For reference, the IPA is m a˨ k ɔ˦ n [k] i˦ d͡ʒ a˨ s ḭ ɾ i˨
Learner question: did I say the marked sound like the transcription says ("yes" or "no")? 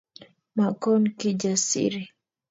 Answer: yes